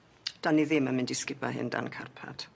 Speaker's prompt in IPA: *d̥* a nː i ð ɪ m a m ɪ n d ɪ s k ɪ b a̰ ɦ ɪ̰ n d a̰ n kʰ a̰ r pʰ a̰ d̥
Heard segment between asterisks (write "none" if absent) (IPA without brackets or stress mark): d̥